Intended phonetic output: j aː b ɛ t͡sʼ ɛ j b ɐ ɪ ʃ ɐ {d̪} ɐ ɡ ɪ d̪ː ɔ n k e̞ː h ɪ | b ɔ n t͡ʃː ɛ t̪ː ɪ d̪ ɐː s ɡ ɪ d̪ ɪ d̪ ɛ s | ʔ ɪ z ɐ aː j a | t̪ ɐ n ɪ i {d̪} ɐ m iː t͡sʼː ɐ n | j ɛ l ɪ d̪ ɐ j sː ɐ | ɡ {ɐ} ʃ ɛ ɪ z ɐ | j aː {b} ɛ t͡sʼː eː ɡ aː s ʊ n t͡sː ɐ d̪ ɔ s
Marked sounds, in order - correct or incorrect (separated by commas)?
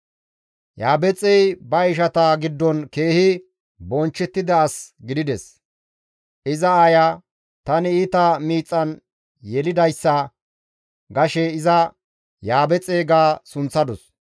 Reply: incorrect, incorrect, correct, correct